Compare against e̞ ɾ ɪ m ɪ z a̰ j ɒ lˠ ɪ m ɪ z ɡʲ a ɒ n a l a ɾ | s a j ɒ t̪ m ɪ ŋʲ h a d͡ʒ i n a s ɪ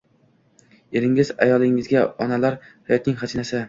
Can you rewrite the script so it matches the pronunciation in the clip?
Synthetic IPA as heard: e̞ ɾ ɪ ŋ ɪ z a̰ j ɒ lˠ ɪ ŋ ɪ z ɡʲ a ɒ n a l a ɾ | h a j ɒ t̪ n ɪ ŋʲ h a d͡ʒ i n a s ɪ